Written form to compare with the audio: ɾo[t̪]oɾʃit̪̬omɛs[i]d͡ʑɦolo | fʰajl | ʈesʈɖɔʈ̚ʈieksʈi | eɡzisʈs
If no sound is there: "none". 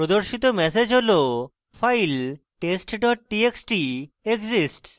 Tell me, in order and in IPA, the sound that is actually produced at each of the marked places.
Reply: d̪, e

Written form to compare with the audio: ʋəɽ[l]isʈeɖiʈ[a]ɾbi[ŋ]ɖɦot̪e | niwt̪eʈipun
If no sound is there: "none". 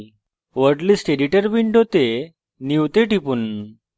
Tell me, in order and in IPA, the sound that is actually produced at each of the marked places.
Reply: l, ə, ɳ

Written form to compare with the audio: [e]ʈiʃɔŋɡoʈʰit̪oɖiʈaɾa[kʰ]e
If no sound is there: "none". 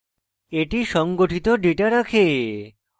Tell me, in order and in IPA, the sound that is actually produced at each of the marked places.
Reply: e, kʰ

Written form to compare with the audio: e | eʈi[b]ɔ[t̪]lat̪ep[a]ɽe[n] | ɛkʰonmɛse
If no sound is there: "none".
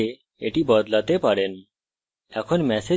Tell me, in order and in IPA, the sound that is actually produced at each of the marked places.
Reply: b, d̪, a, n

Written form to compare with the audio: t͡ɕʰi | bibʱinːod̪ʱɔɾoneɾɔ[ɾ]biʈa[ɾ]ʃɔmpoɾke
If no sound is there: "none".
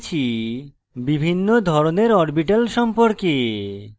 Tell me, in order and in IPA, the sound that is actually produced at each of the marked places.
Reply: ɾ, l

